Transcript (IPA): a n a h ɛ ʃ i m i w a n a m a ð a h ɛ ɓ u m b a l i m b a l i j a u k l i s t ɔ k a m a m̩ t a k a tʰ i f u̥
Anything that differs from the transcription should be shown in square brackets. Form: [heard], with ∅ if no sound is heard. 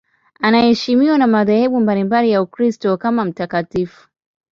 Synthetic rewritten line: a n a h ɛ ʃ i m i w a n a m a ð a h ɛ ɓ u m b a l i m b a l i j a u k [ɾ] i s t ɔ k a m a m̩ t a k a [t] i f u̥